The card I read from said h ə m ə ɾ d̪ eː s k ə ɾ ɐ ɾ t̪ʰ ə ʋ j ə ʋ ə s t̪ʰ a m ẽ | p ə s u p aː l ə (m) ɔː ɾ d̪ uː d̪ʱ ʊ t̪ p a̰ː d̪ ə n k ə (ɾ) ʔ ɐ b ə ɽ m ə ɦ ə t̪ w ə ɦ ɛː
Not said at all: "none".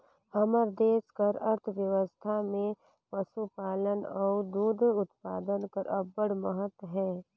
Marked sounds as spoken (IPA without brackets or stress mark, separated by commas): n, ɾ